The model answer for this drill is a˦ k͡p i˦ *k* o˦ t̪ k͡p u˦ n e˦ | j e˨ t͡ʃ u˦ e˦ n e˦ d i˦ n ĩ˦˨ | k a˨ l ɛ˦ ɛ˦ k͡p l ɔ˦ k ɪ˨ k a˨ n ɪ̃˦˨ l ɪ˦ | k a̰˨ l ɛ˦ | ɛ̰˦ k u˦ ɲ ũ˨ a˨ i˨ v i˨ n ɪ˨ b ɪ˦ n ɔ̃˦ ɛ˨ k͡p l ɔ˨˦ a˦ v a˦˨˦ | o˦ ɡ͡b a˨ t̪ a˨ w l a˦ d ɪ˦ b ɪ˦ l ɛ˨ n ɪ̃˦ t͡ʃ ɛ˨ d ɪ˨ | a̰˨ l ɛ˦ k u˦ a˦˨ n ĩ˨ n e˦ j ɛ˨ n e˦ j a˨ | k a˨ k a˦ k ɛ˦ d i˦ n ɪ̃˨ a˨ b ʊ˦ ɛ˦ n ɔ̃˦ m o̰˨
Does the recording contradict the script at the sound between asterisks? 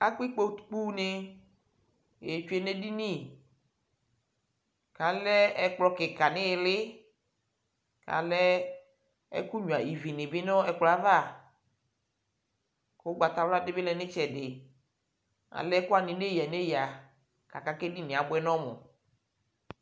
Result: yes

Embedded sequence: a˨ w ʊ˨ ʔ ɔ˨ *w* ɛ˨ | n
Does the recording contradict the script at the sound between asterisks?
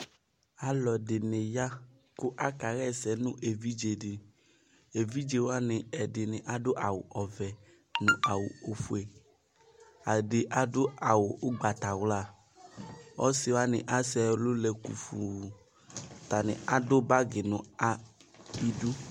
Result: yes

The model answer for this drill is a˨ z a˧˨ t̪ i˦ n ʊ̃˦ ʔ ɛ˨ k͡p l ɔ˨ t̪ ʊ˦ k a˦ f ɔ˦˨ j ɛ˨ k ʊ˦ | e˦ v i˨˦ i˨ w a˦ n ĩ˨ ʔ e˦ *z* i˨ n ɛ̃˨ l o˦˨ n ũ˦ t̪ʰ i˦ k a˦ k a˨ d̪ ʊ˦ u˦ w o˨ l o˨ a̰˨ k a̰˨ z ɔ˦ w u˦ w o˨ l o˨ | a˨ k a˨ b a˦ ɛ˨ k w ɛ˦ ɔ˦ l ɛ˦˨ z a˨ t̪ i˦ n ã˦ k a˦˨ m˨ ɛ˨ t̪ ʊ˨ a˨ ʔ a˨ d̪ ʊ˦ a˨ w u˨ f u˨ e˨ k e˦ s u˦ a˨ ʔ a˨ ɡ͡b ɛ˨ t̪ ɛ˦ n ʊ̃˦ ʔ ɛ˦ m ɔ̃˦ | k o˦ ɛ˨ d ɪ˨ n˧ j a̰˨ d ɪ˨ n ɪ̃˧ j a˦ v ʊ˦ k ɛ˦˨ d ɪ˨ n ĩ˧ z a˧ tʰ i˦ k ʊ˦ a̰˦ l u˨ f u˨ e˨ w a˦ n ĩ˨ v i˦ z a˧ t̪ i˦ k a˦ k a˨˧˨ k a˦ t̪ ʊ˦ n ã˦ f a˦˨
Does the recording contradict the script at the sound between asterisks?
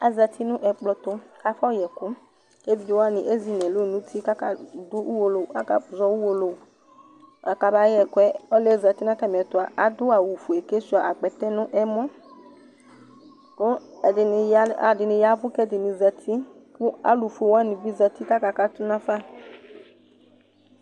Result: no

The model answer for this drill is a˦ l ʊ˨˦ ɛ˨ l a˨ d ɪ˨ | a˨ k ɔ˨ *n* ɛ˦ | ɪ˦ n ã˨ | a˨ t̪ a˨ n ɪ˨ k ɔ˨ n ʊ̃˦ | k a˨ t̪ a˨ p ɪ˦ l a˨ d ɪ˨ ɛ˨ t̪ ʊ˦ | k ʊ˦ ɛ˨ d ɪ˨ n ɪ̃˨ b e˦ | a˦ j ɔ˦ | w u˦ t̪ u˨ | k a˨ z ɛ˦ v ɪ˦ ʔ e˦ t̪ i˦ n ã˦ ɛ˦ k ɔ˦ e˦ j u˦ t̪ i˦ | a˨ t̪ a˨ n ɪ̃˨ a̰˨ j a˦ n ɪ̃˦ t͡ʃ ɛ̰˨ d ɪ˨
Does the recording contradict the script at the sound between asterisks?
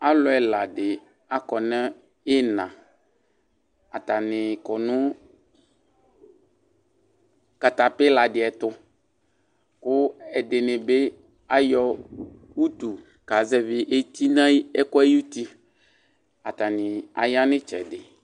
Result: no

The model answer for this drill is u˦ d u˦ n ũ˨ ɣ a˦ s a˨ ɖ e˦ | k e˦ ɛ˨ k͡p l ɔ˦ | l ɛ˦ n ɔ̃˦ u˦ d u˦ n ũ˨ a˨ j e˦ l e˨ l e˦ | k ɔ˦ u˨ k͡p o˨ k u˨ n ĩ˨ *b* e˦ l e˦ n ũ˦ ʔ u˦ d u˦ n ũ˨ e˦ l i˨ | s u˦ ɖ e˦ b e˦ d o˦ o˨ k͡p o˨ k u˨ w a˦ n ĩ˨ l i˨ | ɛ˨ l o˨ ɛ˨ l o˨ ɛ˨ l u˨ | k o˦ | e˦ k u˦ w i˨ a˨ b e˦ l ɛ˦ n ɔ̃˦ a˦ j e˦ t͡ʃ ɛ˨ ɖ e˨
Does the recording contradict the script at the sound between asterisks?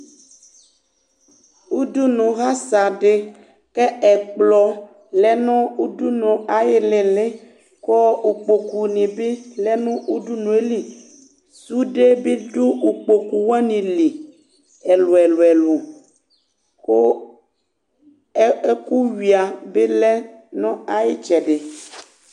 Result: no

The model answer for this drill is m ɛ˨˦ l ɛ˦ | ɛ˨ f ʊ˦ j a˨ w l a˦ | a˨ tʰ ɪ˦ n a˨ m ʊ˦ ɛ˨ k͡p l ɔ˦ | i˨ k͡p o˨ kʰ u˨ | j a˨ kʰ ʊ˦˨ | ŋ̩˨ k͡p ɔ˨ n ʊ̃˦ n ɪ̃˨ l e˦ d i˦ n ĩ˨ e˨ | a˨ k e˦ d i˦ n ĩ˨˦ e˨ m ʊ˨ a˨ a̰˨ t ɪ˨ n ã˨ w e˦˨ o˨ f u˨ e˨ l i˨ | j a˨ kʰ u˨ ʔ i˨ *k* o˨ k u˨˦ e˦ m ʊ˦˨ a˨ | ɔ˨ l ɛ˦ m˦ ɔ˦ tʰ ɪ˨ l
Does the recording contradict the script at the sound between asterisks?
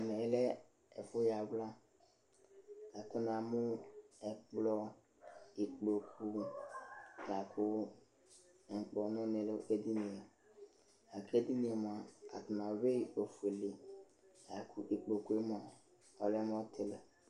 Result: yes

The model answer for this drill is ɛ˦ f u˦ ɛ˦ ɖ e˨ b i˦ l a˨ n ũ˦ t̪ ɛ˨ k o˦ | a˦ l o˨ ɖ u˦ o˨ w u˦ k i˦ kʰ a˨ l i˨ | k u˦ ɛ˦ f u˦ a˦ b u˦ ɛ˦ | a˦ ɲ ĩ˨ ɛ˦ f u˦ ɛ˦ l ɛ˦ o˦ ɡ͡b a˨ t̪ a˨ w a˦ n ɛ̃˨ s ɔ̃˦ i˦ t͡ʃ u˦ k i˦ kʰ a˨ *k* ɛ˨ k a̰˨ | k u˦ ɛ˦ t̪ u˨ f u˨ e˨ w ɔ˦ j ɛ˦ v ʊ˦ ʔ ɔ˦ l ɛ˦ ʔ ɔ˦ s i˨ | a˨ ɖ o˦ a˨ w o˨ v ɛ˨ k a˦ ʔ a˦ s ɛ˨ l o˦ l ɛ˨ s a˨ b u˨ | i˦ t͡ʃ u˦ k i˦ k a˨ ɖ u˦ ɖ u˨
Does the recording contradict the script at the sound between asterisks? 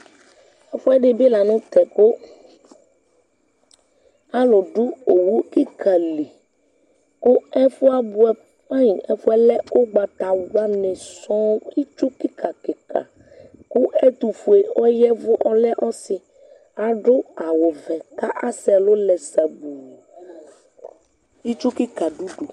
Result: no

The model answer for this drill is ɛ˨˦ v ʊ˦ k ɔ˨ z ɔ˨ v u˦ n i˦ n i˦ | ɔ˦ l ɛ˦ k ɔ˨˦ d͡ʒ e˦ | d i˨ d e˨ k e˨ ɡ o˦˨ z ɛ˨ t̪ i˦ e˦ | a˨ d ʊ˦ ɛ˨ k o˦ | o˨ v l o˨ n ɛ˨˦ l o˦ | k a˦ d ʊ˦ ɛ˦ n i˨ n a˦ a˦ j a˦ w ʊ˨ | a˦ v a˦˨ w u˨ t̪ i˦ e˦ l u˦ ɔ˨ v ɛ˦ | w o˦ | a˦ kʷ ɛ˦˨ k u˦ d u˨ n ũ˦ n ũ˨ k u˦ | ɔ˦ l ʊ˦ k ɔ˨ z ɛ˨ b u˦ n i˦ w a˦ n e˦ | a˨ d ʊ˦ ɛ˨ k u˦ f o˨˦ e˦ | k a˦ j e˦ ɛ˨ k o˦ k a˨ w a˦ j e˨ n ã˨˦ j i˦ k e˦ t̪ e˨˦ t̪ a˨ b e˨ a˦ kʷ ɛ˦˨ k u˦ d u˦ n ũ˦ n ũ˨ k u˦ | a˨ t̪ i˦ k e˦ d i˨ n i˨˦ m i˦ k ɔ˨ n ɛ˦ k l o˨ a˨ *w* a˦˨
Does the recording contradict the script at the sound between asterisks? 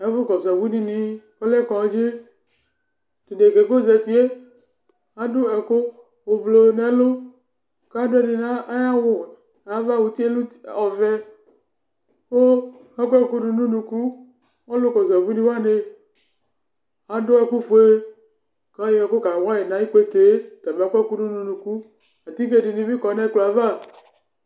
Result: yes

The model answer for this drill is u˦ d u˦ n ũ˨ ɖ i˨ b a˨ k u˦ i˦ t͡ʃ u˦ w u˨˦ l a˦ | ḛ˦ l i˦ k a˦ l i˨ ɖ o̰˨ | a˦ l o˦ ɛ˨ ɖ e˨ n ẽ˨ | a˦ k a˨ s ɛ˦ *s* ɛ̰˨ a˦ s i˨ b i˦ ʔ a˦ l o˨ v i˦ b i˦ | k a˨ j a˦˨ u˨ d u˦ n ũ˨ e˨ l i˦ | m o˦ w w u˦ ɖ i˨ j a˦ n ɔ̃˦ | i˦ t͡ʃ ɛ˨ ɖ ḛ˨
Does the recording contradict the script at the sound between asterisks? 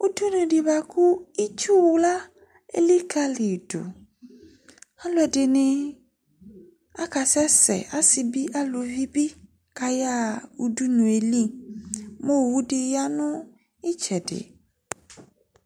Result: no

